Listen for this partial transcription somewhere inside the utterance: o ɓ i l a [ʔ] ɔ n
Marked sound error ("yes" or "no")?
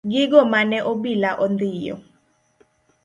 no